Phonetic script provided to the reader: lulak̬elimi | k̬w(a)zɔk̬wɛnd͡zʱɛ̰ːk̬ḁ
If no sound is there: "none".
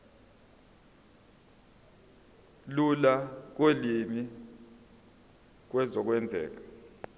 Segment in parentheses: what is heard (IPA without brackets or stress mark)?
ɛ